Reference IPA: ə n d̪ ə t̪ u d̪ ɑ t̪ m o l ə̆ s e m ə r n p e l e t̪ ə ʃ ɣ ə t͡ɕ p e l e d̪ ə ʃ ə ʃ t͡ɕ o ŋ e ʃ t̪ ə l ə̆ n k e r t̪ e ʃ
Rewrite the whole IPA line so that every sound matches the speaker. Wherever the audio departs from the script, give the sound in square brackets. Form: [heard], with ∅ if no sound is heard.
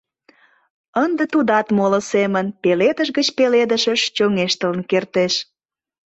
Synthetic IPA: ə n d̪ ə t̪ u d̪ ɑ t̪ m o l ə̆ s e m ə [∅] n p e l e [d̪] ə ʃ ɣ ə t͡ɕ p e l e d̪ ə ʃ ə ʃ t͡ɕ o ŋ e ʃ t̪ ə l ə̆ n k e r t̪ e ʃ